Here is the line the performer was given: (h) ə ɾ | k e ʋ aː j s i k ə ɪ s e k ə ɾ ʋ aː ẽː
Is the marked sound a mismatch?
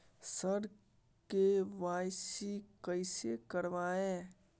yes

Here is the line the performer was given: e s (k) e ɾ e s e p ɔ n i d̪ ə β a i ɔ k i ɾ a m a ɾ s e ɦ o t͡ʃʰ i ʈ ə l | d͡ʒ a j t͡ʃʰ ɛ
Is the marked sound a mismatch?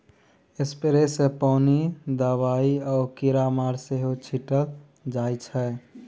yes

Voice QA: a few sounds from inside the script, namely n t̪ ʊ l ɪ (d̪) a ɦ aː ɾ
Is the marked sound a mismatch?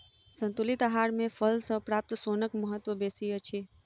yes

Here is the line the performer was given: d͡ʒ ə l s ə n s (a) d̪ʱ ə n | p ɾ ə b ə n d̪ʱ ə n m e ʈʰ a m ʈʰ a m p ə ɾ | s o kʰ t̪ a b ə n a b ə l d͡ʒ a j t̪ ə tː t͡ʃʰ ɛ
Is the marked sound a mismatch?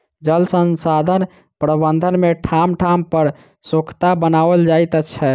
no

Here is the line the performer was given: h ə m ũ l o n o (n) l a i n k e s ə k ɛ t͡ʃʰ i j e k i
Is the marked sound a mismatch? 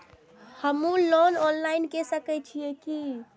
no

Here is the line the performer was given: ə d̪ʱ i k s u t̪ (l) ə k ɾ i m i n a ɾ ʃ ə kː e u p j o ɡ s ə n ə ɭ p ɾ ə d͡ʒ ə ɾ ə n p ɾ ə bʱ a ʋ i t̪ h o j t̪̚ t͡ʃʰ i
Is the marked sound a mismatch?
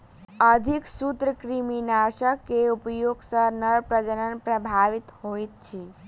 yes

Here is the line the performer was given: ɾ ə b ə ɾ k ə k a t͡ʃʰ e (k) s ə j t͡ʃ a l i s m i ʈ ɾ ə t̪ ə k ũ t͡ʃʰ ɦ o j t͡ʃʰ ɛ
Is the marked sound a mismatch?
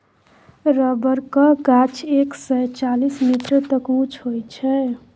no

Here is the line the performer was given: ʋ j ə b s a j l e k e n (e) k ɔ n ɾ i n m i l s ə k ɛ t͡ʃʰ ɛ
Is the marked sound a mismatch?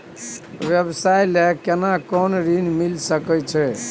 yes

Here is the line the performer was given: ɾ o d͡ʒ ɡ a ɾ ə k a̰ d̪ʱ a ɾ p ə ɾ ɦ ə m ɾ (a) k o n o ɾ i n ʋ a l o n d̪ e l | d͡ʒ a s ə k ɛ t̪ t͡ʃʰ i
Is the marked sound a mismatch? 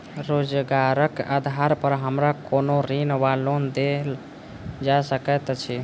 no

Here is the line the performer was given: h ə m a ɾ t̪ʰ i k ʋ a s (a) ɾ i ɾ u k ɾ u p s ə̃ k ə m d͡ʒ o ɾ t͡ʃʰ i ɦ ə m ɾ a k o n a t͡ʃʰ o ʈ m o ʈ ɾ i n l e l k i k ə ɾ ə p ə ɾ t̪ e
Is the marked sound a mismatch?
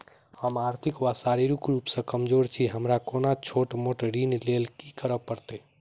no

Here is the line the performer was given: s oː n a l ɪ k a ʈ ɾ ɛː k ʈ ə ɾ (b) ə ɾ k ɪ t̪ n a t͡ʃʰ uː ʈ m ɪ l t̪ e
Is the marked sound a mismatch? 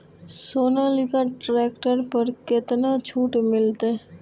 yes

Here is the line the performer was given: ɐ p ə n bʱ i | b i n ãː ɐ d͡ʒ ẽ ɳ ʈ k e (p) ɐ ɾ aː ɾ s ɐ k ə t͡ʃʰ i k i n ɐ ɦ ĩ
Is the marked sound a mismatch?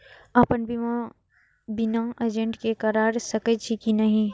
yes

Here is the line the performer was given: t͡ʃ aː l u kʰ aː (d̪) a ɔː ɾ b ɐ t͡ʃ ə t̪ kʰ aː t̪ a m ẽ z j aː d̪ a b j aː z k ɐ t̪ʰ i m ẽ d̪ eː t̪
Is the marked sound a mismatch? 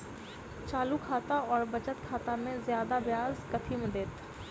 yes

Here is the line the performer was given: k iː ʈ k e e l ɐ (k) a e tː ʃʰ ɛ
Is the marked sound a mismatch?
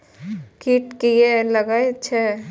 yes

